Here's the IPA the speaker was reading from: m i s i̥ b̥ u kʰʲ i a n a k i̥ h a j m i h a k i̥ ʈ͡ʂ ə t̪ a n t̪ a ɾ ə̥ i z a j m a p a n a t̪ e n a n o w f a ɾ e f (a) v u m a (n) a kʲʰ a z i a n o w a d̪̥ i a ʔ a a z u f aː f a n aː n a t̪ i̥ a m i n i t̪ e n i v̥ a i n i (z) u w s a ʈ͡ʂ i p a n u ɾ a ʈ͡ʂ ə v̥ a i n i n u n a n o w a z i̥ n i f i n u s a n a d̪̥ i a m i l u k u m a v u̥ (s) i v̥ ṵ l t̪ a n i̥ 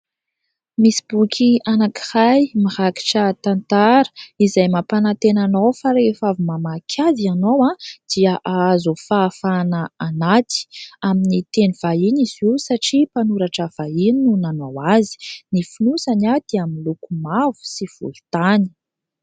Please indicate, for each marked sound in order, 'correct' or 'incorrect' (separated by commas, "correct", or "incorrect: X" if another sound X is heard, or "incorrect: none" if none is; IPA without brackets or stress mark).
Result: correct, incorrect: m, correct, correct